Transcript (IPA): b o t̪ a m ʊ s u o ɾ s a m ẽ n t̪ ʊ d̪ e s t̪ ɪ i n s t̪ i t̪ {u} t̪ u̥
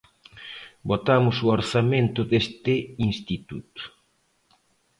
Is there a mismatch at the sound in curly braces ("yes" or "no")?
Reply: no